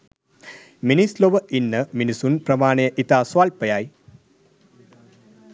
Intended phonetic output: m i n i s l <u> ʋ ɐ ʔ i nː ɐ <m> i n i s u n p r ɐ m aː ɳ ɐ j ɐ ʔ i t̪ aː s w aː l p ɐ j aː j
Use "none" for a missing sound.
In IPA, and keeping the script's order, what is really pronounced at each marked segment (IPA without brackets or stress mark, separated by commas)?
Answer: o, m